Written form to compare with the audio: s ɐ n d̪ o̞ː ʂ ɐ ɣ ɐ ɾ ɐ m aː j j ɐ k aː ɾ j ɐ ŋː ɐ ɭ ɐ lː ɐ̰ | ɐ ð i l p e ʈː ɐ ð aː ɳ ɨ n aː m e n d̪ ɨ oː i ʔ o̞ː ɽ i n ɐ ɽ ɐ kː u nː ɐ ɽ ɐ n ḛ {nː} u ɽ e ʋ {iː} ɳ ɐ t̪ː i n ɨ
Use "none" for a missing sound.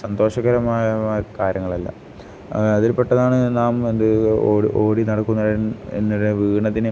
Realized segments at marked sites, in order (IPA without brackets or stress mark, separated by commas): nː, iː